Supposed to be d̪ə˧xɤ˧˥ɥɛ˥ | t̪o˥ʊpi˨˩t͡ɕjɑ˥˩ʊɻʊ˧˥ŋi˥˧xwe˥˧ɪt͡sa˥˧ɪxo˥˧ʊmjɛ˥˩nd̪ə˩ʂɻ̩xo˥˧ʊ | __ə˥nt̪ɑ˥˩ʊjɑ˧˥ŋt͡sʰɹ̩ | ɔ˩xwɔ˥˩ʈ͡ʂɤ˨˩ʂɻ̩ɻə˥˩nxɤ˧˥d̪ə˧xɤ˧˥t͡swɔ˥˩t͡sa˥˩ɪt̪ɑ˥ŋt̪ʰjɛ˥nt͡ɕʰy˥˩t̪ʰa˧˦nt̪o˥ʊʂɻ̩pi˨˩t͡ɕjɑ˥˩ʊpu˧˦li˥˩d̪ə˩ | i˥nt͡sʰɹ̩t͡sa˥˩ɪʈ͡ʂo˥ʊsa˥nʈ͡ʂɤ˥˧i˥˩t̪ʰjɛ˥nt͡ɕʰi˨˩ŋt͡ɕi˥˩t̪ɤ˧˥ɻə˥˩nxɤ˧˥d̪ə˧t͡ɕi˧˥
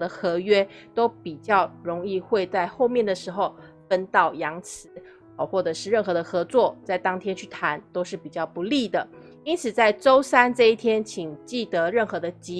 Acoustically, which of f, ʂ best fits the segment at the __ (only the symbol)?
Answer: f